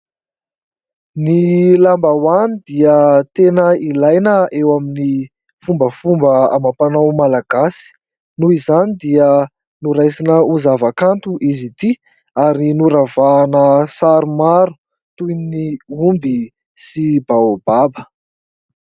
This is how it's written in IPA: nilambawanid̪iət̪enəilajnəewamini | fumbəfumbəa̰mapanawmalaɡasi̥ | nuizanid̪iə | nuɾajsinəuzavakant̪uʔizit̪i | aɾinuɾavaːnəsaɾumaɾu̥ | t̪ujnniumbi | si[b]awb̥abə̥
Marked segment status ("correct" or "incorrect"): correct